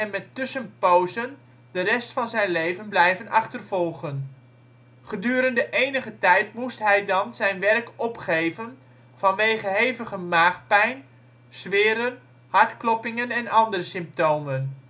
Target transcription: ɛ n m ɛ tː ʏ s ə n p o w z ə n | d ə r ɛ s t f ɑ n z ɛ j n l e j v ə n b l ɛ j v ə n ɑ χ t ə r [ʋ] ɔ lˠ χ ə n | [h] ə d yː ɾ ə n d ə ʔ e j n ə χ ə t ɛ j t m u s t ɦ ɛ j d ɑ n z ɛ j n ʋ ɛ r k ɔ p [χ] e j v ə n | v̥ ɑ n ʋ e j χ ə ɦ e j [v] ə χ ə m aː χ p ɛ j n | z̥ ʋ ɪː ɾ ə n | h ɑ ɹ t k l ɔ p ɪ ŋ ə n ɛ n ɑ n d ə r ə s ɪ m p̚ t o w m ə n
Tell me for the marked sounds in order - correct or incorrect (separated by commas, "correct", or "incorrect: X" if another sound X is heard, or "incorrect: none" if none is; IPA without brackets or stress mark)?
incorrect: v, incorrect: χ, correct, correct